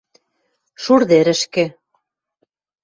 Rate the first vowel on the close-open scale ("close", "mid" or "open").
close